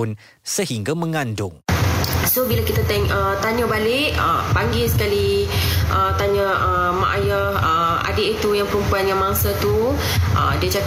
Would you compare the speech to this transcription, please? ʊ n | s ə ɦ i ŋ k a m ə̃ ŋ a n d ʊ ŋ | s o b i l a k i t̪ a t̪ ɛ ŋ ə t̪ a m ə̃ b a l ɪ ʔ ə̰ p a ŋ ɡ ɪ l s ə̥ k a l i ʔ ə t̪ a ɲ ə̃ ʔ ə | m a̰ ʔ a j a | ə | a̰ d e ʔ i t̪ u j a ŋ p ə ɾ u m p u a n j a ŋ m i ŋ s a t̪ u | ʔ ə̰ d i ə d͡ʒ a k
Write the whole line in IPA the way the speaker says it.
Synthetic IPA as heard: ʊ n | s ə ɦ i ŋ ɡ a m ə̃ ŋ a n d ʊ ŋ | s o b i l a k i t̪ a t̪ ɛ ŋ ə t̪ a ɲ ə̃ b a l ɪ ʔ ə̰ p a ŋ ɡ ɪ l s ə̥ k a l i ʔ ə t̪ a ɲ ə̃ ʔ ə | m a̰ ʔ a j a | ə | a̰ d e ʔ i t̪ u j a ŋ p ə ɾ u m p u a n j a ŋ m a ŋ s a t̪ u | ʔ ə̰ d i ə d͡ʒ a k